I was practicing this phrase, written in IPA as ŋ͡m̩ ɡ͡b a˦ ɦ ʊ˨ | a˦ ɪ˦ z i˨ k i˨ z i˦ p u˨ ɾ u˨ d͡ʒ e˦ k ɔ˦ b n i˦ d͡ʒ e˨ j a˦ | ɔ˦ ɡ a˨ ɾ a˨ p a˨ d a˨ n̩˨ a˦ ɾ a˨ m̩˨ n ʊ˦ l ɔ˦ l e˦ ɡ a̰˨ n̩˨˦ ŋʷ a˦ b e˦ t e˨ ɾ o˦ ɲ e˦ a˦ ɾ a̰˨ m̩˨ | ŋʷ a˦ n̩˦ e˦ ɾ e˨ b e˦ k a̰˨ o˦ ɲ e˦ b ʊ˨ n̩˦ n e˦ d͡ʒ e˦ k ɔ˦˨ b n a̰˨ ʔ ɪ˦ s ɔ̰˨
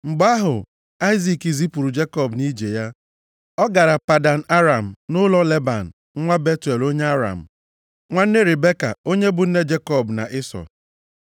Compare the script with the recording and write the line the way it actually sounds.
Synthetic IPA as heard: ŋ͡m̩ ɡ͡b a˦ ɦ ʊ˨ | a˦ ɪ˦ z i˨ k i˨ z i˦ p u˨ ɾ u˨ d͡ʒ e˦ k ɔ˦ b n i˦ d͡ʒ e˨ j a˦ | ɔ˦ ɡ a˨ ɾ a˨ p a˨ d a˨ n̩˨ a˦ ɾ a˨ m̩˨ n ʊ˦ l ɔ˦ l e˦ b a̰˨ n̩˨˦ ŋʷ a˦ b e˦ t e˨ l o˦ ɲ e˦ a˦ ɾ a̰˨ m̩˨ | ŋʷ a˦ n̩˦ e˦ ɾ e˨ b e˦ k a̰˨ o˦ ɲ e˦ b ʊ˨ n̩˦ n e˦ d͡ʒ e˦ k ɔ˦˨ b n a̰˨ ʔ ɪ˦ s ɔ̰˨